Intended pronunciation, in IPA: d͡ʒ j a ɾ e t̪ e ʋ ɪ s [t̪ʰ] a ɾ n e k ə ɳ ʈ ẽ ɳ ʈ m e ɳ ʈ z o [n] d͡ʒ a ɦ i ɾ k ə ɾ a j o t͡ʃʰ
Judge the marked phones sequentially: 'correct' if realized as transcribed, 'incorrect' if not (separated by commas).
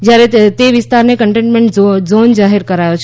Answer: incorrect, correct